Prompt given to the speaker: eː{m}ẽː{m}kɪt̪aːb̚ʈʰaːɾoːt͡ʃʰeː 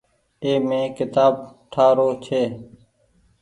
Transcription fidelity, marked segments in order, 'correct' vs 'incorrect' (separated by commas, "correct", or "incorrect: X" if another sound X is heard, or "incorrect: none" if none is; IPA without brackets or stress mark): correct, incorrect: none